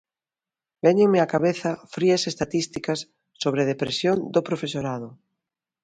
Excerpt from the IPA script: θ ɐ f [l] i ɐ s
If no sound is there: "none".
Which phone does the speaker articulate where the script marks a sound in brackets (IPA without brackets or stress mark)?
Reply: ɾ